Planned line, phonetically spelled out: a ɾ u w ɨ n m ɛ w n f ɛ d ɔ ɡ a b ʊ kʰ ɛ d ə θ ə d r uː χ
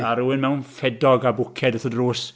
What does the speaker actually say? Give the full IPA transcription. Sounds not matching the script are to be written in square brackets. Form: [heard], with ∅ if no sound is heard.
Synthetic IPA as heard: a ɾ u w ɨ n m ɛ w n f ɛ d ɔ ɡ a b ʊ kʰ ɛ d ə θ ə d r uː [s]

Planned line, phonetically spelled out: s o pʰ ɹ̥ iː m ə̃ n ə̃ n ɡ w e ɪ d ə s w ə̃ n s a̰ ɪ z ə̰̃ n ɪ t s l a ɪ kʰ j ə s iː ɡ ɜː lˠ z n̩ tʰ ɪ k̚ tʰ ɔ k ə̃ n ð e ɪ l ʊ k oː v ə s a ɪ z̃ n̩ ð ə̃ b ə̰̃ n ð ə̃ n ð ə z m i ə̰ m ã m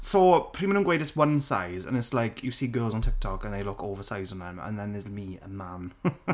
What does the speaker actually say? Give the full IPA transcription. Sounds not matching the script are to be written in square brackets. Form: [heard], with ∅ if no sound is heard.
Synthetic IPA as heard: s o pʰ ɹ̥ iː m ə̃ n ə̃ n ɡ w e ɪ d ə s w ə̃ n s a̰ ɪ z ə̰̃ n ɪ t s l a ɪ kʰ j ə s iː ɡ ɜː lˠ z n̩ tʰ ɪ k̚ tʰ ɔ k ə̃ n ð e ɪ l ʊ k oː v ə s a ɪ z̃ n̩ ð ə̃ [m] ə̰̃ n ð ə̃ n ð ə z m i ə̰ m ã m

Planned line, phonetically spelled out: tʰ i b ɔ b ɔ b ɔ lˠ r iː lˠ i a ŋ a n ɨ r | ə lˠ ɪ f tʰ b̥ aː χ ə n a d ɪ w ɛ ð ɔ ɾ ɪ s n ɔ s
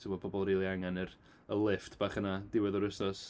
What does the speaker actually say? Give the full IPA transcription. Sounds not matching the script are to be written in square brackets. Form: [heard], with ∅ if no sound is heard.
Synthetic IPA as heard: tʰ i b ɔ b ɔ b ɔ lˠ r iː lˠ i a ŋ a n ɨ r | ə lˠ ɪ f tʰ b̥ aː χ ə n a d ɪ w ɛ ð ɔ ɾ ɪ s n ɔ s

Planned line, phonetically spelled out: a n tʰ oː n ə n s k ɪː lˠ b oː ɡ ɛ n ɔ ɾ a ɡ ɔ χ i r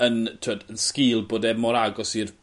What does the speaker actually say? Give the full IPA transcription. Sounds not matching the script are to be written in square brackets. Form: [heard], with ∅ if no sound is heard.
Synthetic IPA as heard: [ə] n tʰ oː [d] ə n s k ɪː lˠ b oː [d] ɛ [m] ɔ ɾ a ɡ ɔ [s] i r

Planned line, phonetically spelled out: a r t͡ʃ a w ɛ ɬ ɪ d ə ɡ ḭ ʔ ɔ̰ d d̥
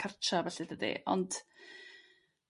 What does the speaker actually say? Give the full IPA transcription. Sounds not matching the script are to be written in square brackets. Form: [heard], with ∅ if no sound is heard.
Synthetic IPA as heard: a r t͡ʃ a [v] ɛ ɬ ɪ d ə [d] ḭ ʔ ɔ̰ [n] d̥

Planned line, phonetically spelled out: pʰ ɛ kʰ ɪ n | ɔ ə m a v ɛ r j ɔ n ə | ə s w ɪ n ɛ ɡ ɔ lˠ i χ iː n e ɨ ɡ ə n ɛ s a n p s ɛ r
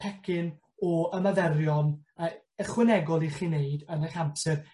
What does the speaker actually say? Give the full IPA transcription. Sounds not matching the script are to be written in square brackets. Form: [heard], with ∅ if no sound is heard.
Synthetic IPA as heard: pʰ ɛ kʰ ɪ n | ɔ ə m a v ɛ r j ɔ n ə | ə [χ] w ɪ n ɛ ɡ ɔ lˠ i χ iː n e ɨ [d] ə n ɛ [χ] a [m] p s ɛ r

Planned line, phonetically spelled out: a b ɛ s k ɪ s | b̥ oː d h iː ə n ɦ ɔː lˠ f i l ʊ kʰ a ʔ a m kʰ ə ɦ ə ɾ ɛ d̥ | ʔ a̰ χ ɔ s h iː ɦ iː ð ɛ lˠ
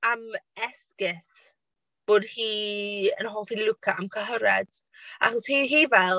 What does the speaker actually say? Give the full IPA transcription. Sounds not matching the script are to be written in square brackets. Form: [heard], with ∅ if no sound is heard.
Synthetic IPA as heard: a [m] ɛ s k ɪ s | b̥ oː d h iː ə n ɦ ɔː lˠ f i l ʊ kʰ a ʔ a m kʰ ə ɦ ə ɾ ɛ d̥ | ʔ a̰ χ ɔ s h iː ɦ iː [v] ɛ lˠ

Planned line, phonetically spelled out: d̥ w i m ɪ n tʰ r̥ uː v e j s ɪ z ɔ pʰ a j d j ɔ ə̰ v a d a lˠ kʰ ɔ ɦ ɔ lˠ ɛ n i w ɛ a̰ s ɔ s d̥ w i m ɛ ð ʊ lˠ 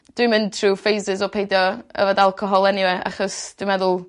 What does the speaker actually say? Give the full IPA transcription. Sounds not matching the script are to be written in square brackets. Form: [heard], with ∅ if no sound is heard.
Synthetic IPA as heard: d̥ w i m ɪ n tʰ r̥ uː [f] e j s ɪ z ɔ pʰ [e] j d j ɔ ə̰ v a d a lˠ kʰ ɔ ɦ ɔ lˠ ɛ n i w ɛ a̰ [χ] ɔ s d̥ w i m ɛ ð ʊ lˠ

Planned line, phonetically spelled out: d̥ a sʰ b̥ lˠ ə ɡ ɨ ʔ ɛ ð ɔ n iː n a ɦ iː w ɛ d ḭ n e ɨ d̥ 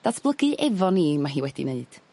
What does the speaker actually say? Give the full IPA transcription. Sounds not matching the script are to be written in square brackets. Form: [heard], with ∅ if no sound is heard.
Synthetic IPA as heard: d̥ a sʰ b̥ lˠ ə ɡ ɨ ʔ ɛ [v] ɔ n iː [m] a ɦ iː w ɛ d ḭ n e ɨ d̥

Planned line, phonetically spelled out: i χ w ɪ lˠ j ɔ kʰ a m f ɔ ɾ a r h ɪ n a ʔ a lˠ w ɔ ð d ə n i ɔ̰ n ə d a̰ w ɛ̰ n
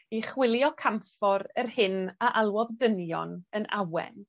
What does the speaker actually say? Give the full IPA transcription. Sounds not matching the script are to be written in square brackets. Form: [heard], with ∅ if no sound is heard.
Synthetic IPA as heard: i χ w ɪ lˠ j ɔ kʰ a m f ɔ ɾ [ə] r h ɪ n a ʔ a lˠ w ɔ ð d ə n [j] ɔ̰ n ə [n] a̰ w ɛ̰ n

